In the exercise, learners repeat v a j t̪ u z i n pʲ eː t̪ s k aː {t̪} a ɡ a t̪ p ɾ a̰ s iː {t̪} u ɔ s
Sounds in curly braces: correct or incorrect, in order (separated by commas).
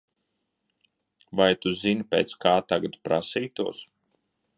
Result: correct, correct